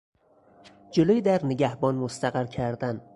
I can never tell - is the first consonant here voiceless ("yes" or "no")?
no